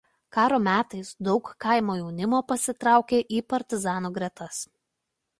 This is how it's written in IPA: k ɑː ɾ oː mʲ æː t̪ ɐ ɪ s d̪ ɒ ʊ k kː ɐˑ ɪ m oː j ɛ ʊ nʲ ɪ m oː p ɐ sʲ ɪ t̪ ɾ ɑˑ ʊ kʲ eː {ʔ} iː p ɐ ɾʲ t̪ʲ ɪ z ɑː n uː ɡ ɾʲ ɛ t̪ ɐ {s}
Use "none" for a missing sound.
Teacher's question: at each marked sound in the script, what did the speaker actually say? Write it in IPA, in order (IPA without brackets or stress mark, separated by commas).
ʔ, s